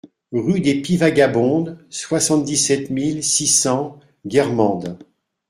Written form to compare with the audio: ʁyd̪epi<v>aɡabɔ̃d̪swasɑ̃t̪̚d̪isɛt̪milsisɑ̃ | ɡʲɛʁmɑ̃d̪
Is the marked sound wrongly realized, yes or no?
no